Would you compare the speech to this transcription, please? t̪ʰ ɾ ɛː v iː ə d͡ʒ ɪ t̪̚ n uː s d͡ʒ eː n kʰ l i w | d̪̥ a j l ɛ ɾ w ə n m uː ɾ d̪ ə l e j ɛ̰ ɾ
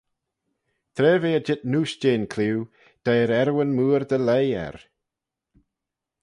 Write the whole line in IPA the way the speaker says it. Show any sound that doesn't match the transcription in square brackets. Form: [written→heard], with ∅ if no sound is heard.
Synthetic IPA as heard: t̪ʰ ɾ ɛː v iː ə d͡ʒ ɪ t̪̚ n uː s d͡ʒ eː n kʰ l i w | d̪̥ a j [l→ɾ] ɛ ɾ w ə n m uː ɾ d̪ ə l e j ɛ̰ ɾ

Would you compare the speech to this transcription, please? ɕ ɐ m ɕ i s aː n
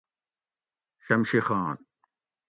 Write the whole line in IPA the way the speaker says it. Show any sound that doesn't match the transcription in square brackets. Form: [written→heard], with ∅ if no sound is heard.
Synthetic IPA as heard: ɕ ɐ m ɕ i [s→x] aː n

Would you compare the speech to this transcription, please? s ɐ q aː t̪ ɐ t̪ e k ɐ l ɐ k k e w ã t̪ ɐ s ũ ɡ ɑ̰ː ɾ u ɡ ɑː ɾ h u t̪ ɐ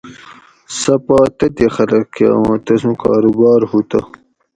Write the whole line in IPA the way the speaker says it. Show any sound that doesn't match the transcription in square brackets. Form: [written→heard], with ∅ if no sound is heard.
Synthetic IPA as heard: s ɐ [q→p] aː t̪ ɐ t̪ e [k→x] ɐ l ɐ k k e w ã t̪ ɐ s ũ [ɡ→k] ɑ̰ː ɾ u [ɡ→b] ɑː ɾ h u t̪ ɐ

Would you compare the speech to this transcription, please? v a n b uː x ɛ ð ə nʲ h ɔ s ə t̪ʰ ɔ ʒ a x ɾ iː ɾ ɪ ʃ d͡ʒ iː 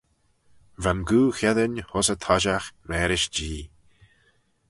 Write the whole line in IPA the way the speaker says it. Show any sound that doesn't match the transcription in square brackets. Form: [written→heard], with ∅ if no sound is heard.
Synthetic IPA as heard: v a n [b→ɡ] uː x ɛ ð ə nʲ h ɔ s ə t̪ʰ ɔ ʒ a x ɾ [iː→ɛː] ɾ ɪ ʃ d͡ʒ iː

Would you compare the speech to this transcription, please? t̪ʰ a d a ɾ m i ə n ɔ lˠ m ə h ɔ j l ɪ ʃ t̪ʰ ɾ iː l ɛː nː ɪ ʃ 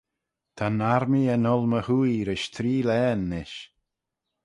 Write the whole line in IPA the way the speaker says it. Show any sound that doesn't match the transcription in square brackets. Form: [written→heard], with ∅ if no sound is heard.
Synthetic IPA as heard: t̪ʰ a [d→n] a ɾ m i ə n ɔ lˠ m ə h [ɔ→u] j [l→ɾ] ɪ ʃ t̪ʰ ɾ iː l ɛː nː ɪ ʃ

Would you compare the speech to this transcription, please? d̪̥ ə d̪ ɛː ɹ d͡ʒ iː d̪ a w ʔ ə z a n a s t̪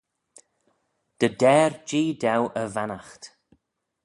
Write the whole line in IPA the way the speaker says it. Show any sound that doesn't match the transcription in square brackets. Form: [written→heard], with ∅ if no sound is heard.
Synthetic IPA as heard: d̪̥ ə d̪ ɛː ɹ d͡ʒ iː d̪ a w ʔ ə [z→v] a n a [s→x] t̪

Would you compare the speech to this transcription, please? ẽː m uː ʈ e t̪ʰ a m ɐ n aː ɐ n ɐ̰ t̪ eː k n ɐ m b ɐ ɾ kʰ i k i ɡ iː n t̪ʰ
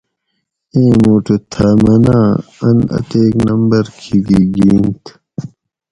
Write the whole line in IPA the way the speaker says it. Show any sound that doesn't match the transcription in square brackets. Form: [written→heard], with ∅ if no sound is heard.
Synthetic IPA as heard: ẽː m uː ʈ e t̪ʰ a m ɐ n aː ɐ n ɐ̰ t̪ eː k n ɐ m b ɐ ɾ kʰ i [k→ɡ] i ɡ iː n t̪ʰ

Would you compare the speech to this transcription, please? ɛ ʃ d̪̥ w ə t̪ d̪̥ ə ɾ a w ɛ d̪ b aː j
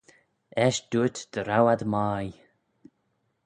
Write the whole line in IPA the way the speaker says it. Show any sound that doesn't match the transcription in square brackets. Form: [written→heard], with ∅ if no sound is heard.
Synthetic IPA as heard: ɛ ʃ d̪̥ [w→u] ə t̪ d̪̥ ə ɾ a w [ɛ→a] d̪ [b→m] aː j

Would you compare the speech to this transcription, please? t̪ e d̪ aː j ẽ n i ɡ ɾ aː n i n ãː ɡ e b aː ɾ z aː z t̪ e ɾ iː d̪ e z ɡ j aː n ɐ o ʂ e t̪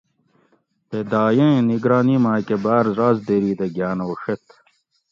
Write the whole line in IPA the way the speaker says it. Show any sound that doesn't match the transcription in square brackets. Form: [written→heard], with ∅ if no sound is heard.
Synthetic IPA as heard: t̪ e d̪ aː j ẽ n i ɡ ɾ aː n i [n→m] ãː [ɡ→k] e b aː ɾ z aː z [t̪→d̪] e ɾ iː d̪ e [z→∅] ɡ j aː n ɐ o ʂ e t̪

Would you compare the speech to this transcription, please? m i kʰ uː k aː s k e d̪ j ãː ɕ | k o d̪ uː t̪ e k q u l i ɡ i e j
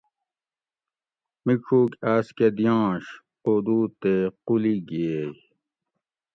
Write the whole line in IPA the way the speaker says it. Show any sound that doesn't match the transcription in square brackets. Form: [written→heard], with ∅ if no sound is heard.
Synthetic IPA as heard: m i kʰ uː k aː s k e d̪ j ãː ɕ | [k→q] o d̪ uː t̪ e [k→∅] q u l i ɡ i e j

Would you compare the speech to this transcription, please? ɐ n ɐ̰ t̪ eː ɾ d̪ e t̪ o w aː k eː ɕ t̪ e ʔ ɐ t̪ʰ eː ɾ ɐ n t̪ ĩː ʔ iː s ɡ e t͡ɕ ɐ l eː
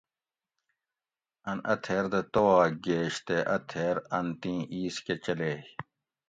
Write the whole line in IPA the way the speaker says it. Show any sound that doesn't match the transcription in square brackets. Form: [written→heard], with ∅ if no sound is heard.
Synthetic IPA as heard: ɐ n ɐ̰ [t̪→t̪ʰ] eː ɾ d̪ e t̪ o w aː [k→ɡ] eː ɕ t̪ e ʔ ɐ t̪ʰ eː ɾ ɐ n t̪ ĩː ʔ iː s [ɡ→k] e t͡ɕ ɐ l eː

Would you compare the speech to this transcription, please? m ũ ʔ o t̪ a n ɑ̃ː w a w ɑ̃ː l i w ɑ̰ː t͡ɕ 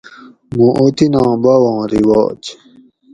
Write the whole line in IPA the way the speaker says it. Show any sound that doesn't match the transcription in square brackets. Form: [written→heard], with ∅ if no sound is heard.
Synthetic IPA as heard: m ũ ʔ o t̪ [a→i] n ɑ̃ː [w→b] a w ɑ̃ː [l→ɾ] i w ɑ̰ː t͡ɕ

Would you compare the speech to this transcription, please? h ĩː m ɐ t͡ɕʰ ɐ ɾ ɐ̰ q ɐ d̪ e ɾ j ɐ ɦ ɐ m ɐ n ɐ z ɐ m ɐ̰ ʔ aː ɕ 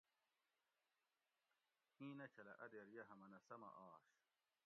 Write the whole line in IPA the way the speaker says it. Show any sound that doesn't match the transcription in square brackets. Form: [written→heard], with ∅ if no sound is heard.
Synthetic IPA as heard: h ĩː [m→n] ɐ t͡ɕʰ ɐ [ɾ→l] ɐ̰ [q→ʔ] ɐ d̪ e ɾ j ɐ ɦ ɐ m ɐ n ɐ [z→s] ɐ m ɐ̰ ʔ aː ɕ

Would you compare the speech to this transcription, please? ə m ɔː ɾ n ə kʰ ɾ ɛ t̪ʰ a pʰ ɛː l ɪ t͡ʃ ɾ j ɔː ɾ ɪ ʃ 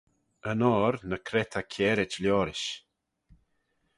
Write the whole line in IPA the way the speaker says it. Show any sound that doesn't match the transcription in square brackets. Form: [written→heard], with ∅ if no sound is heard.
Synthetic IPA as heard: ə [m→n] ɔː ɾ n ə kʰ ɾ ɛ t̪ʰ a [pʰ→kʰ] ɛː [l→ɾ] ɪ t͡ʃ [ɾ→l] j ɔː ɾ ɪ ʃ

